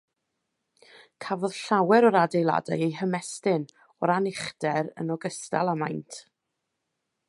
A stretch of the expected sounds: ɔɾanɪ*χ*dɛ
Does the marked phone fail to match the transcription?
no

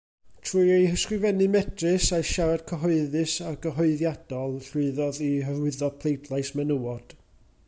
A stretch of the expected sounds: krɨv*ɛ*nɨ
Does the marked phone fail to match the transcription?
no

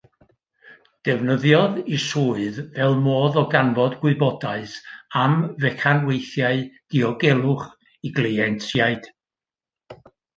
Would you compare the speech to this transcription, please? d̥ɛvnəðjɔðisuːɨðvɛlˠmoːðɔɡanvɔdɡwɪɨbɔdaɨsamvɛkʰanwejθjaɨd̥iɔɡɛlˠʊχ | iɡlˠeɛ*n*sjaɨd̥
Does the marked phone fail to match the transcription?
no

